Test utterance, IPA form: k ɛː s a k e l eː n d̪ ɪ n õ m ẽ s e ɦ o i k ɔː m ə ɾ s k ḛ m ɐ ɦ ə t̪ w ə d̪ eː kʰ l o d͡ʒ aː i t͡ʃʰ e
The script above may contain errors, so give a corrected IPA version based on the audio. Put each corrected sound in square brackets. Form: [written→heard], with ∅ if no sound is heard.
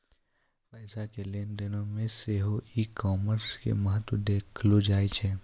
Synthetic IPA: [k→p] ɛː s a k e l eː n d̪ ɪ n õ m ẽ s e ɦ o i k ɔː m ə ɾ s k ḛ m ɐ ɦ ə t̪ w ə d̪ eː kʰ l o d͡ʒ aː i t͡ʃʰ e